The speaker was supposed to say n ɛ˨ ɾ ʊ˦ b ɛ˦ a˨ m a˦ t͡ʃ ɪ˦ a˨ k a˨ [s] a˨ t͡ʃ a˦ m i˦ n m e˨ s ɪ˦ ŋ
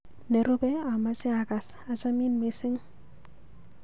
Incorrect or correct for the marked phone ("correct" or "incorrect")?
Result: correct